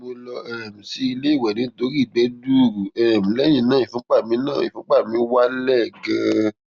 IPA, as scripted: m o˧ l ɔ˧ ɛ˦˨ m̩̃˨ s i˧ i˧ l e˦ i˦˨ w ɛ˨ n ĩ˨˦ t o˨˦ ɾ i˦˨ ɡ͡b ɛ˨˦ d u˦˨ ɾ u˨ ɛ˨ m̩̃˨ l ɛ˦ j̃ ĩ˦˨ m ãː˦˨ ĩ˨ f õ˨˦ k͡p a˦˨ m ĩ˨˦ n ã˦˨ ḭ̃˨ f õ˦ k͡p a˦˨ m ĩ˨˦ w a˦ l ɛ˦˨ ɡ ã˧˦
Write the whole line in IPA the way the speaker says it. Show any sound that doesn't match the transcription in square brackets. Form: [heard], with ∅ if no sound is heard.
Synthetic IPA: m o˧ l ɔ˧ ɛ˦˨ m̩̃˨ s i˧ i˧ l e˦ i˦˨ w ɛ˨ n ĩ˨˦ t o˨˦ ɾ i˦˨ ɡ͡b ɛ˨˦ d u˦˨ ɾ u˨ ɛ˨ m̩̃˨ l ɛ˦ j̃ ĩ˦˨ [n] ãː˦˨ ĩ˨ f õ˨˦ k͡p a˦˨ m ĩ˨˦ n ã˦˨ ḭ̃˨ f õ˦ k͡p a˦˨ m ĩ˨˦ w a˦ l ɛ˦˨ ɡ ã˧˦